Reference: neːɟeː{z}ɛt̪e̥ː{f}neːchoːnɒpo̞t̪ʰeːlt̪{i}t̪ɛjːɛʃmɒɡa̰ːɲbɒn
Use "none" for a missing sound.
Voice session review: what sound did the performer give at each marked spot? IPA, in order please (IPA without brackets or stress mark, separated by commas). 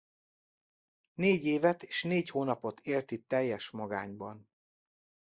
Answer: v, ʃ, i